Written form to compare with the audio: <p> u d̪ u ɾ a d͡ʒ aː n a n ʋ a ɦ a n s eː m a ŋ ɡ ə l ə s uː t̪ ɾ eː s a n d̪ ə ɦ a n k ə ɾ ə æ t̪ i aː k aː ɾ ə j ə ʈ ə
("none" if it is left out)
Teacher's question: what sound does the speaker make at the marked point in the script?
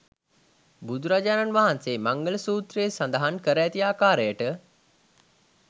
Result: b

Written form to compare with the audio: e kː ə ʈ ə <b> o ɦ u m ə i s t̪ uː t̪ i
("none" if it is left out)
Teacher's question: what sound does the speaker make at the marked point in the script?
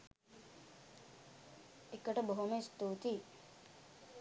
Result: b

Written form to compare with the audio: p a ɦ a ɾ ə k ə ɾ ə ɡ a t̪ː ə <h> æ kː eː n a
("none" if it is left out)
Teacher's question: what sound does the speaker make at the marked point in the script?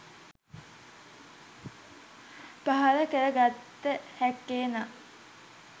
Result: h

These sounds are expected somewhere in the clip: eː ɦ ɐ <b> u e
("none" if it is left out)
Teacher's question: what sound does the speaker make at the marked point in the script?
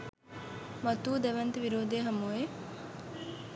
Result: m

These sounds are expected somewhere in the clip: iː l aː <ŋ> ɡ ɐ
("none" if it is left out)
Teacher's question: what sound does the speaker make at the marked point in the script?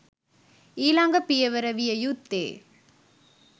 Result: ŋ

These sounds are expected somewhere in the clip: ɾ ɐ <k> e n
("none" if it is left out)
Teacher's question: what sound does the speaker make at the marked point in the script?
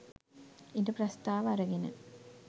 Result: ɡ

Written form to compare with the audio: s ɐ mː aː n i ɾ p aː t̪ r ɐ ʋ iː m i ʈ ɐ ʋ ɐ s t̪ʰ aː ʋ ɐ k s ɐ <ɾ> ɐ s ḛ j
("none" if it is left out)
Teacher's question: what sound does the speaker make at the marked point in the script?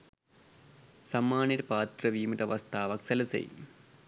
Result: l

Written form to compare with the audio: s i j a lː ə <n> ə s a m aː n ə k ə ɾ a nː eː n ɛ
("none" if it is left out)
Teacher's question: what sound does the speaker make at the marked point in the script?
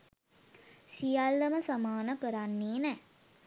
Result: m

